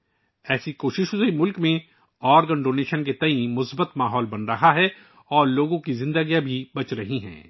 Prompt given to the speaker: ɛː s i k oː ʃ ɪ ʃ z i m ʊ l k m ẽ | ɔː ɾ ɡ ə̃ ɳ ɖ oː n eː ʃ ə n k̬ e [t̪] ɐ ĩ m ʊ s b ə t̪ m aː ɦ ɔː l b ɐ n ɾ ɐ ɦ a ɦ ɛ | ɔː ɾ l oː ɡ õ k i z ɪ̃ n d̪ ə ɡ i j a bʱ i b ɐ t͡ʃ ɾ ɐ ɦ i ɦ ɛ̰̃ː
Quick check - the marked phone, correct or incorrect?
correct